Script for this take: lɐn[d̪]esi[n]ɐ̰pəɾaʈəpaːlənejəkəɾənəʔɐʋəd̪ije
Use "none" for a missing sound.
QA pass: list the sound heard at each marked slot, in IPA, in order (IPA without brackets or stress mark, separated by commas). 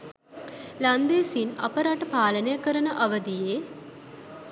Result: d̪, n